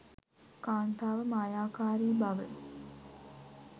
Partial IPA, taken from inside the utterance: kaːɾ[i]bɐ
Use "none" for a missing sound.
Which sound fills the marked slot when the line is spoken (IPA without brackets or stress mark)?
iː